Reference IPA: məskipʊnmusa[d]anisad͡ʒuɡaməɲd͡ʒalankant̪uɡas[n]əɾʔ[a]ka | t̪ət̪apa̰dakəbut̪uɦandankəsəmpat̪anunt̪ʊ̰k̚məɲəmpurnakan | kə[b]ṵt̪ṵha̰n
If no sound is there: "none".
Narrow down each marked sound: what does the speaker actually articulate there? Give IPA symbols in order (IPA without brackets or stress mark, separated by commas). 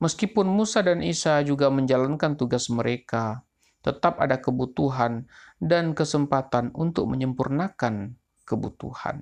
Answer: d, m, e, b